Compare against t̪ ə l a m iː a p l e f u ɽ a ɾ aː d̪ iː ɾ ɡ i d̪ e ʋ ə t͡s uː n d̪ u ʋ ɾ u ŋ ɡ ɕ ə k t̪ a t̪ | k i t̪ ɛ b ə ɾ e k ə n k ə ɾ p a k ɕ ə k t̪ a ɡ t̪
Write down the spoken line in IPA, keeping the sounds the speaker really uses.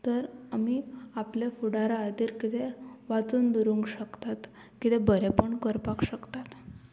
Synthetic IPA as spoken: t̪ ə ɾ a m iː a p l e f u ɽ a ɾ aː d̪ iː ɾ k i t̪ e ʋ a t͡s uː n d̪ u ɾ u ŋ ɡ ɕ ə k t̪ a t̪ | k i t̪ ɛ b ə ɾ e p ə ɳ k ə ɾ p a k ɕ ə k t̪ a t̪